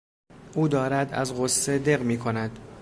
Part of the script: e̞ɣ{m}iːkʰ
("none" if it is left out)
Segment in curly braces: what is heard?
m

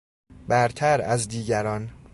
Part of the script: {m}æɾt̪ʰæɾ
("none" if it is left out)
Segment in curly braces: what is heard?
b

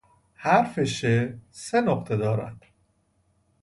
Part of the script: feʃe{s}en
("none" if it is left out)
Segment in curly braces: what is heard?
s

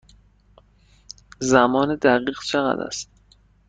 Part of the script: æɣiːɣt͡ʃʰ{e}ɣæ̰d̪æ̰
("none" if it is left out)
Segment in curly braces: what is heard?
e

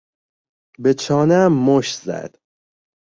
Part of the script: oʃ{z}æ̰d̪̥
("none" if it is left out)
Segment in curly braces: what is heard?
z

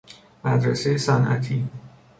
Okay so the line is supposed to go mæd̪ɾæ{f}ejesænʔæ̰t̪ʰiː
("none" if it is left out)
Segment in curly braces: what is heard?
s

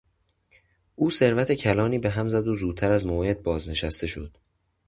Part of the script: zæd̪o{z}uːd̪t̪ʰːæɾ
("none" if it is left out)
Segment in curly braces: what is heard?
z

